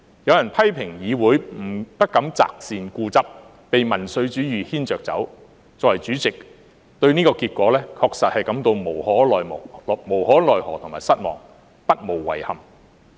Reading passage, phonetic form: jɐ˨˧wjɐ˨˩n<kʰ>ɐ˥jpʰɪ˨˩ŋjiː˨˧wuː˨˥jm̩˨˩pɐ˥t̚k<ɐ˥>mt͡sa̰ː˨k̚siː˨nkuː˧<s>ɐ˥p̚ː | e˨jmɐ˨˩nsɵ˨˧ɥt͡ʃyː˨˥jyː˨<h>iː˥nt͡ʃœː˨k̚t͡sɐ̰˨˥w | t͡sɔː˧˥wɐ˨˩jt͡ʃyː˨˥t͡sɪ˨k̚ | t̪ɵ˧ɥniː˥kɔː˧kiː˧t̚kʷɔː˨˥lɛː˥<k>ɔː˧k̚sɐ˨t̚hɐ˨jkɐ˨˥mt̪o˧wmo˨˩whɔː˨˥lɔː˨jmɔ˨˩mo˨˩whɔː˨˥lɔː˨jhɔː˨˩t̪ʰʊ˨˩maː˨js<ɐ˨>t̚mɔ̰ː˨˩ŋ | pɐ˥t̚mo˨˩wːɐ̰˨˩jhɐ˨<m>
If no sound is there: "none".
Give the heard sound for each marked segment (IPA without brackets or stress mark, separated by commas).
pʰ, ɐ˨˥, t͡s, h, kʰ, ɐ˥, m